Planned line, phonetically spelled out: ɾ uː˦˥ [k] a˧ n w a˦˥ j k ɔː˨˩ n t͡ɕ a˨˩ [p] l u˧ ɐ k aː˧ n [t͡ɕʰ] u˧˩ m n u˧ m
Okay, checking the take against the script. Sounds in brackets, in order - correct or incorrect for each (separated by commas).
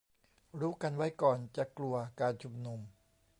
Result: correct, incorrect, correct